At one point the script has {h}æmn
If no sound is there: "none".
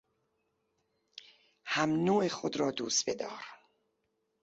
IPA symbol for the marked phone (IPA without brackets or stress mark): h